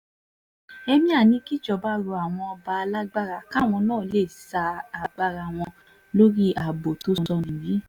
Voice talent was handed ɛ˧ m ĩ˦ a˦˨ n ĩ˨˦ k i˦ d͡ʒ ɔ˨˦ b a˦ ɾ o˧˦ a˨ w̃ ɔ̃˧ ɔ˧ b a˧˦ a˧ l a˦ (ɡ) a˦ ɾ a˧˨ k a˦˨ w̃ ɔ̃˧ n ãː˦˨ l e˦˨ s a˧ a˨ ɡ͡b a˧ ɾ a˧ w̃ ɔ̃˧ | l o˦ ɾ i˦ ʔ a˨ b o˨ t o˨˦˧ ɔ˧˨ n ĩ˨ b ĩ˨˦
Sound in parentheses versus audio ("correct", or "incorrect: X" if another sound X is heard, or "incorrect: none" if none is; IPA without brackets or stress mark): incorrect: ɡ͡b